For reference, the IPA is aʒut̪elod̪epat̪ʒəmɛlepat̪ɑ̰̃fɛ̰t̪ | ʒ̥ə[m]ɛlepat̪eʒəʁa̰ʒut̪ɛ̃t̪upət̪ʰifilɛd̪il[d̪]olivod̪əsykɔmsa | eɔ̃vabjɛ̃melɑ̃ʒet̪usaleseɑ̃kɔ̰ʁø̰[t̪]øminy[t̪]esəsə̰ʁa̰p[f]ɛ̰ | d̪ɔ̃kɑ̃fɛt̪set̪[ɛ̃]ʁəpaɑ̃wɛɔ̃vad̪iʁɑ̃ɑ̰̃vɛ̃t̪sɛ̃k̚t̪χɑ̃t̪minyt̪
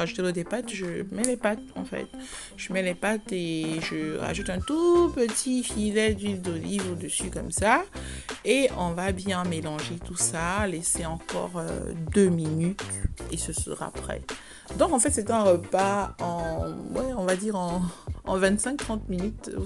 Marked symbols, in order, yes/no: yes, yes, no, yes, no, yes

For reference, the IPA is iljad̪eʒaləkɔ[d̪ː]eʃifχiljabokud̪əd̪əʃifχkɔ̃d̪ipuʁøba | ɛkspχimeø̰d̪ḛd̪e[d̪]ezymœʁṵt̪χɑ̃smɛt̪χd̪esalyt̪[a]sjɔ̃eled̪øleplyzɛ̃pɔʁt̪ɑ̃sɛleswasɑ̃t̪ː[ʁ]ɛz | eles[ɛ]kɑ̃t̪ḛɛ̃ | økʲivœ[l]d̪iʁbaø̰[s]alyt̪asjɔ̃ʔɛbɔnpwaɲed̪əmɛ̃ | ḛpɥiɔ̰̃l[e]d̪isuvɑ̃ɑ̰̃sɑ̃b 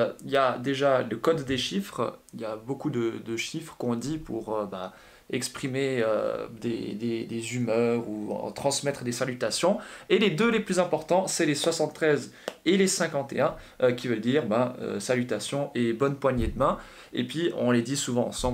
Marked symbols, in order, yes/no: yes, yes, yes, no, no, yes, yes, yes

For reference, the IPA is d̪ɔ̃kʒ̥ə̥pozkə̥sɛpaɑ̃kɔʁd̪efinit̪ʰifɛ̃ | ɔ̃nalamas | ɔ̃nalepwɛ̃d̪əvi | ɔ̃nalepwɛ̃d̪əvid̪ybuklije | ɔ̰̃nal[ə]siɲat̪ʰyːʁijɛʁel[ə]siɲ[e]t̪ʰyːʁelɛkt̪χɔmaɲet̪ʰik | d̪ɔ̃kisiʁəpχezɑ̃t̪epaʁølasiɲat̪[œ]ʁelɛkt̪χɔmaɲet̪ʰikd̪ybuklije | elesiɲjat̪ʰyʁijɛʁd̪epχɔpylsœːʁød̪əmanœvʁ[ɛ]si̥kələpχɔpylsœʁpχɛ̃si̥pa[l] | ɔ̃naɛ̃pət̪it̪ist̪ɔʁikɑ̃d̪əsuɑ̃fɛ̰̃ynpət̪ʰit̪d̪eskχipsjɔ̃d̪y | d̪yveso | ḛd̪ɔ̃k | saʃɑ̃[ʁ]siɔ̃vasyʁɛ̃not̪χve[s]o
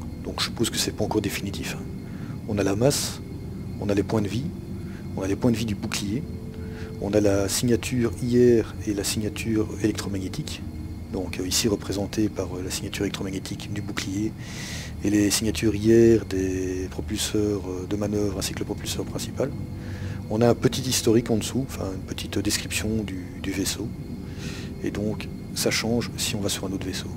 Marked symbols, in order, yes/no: no, no, no, no, no, yes, no, yes

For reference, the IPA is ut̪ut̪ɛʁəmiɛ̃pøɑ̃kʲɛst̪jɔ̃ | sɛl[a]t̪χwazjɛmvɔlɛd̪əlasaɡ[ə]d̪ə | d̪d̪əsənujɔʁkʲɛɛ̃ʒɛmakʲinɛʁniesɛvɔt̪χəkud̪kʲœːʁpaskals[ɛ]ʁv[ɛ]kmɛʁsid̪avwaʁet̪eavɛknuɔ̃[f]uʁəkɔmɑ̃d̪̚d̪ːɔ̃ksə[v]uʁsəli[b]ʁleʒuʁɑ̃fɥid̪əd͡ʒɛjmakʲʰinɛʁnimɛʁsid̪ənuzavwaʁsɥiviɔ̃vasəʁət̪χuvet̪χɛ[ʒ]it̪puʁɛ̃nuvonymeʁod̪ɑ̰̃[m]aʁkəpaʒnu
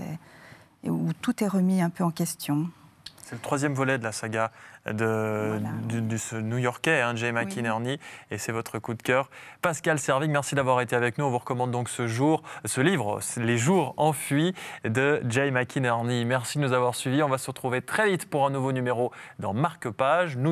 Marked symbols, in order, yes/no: no, no, yes, no, no, no, no, no, yes

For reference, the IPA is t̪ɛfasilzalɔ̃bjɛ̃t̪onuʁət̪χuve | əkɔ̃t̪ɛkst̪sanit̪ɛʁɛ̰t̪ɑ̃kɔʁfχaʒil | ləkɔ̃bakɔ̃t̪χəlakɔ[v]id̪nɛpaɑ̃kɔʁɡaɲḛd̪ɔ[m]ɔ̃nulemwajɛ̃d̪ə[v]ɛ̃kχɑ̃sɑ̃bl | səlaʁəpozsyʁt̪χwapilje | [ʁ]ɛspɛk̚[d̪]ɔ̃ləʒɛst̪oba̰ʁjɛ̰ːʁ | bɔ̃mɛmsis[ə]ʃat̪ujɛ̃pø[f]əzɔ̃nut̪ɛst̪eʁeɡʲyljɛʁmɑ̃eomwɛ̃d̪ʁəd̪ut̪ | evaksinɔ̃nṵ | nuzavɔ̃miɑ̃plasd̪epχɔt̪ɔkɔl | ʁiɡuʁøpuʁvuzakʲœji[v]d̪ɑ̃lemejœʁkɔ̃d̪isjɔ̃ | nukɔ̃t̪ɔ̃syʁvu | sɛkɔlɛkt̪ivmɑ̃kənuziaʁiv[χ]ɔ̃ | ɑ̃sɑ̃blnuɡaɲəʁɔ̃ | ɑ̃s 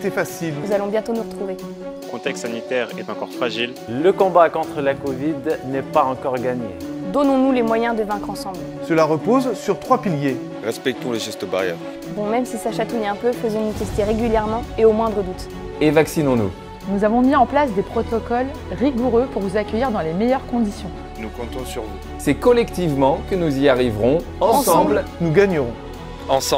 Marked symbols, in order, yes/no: yes, no, yes, yes, no, no, yes, no, no

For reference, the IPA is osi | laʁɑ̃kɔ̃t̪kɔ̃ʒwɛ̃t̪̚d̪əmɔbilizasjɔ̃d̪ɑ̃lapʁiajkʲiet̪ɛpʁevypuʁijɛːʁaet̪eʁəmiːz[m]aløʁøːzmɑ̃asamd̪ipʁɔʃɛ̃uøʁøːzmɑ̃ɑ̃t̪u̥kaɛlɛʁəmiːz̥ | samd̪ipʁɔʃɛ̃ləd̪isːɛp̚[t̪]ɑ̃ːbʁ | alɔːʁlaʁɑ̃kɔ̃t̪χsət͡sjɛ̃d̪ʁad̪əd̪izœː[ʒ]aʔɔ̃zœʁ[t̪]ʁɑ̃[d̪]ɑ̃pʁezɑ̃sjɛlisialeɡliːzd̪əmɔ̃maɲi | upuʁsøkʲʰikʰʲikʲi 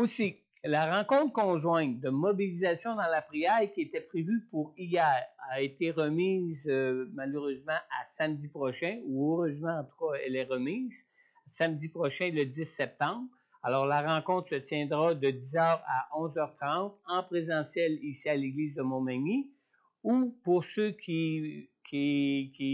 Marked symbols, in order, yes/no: yes, yes, no, yes, no

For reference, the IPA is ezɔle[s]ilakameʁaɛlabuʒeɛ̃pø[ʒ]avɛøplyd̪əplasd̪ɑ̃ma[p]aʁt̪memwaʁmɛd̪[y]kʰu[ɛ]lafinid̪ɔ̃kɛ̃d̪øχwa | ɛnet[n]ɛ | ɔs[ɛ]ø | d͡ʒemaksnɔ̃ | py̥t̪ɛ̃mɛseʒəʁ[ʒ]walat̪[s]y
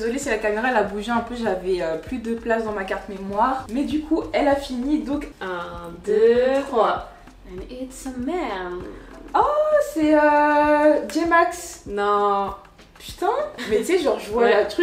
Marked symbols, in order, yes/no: yes, yes, no, yes, yes, no, yes, yes, no

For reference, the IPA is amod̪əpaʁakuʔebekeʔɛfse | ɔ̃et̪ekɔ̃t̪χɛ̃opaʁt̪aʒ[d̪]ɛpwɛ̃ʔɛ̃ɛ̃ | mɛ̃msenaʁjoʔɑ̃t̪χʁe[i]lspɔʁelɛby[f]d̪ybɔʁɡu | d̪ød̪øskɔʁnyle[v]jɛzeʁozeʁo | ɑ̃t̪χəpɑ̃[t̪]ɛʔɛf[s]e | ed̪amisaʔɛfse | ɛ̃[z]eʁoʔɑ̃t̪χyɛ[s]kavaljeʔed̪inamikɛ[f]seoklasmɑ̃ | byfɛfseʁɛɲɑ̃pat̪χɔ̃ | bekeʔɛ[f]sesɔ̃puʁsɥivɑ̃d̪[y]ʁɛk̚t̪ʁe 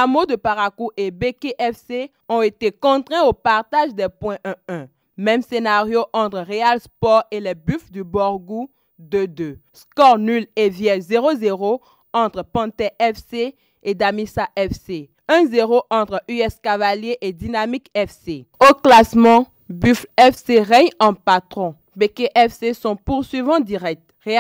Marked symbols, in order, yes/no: yes, no, yes, yes, yes, yes, yes, yes, yes, yes, no

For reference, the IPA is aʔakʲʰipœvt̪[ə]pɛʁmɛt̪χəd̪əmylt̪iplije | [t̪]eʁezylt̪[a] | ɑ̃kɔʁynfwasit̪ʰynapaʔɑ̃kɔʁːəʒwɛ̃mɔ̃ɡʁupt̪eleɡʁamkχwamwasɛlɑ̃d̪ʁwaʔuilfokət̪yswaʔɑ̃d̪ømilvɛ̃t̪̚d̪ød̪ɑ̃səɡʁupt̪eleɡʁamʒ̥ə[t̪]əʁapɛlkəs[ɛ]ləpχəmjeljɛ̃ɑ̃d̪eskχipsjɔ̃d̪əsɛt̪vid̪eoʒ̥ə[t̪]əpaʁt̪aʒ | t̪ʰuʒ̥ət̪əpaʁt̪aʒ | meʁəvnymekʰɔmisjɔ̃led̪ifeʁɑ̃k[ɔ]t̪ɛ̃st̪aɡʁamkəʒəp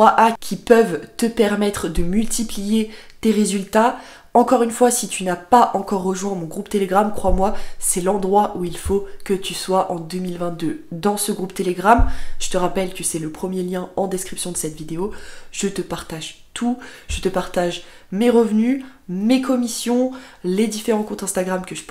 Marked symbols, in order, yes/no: yes, yes, yes, yes, yes, yes, no

